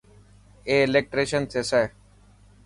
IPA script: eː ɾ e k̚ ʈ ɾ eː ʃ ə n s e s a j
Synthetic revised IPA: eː l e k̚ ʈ ɾ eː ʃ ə n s e s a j